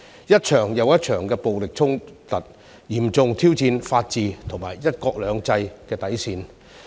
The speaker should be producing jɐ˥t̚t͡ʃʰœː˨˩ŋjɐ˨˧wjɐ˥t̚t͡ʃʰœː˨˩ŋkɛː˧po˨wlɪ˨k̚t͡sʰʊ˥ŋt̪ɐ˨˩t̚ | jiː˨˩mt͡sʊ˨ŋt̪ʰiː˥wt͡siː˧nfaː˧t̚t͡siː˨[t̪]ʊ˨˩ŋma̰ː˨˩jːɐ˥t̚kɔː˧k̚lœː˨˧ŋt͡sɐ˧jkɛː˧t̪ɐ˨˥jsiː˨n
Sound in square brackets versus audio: incorrect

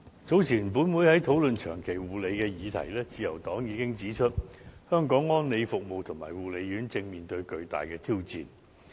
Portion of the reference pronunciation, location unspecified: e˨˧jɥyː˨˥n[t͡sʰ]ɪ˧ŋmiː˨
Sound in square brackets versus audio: incorrect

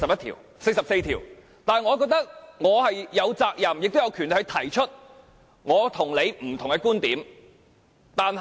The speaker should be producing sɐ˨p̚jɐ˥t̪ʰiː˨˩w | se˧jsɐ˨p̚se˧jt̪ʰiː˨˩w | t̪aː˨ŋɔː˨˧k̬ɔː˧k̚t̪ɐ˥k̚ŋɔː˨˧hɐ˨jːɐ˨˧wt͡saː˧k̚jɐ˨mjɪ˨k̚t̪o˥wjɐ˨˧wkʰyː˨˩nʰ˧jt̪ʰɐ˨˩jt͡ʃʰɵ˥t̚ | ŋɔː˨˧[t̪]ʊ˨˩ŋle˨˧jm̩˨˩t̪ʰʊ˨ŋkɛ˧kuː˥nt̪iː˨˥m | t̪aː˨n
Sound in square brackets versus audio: incorrect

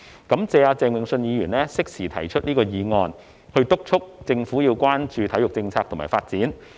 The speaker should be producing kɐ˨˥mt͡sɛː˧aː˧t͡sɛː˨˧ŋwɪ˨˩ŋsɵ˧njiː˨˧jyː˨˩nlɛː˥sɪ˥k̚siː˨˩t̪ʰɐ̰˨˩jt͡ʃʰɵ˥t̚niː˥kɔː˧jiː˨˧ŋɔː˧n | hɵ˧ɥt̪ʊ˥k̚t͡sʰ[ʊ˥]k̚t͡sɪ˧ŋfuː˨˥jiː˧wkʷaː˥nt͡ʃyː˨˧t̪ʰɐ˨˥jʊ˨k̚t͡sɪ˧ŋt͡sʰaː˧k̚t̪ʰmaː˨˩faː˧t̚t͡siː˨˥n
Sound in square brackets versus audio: correct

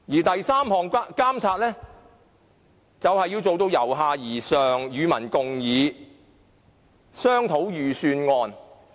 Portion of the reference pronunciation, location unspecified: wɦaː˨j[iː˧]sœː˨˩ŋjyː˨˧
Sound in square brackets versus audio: incorrect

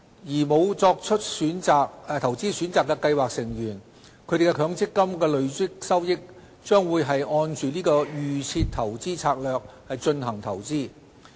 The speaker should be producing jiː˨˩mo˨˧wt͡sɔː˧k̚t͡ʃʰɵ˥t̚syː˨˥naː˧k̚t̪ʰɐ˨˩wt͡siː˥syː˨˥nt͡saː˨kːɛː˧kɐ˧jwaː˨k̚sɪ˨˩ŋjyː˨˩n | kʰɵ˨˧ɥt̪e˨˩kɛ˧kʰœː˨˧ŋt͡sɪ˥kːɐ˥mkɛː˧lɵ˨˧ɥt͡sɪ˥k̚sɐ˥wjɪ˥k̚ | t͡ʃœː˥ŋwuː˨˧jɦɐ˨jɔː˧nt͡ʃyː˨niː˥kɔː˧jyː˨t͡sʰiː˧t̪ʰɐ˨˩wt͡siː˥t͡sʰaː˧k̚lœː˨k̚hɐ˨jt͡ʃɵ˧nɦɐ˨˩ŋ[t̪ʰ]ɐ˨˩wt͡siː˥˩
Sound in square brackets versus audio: correct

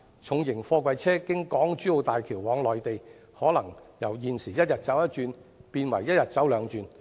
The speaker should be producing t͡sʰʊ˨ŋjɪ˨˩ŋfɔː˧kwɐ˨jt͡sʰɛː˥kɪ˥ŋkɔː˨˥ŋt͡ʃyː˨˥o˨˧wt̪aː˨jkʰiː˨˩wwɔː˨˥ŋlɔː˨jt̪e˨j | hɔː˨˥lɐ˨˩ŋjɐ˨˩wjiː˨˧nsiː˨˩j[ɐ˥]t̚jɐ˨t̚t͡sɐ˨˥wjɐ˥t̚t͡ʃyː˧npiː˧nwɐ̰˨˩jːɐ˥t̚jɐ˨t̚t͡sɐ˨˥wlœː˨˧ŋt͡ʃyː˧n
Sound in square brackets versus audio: correct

